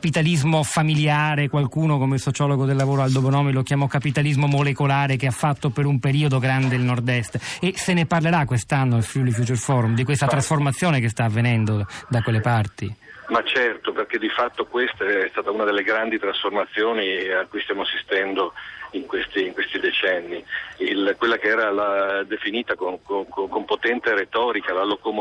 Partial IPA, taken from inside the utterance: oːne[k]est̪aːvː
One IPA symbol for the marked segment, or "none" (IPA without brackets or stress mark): k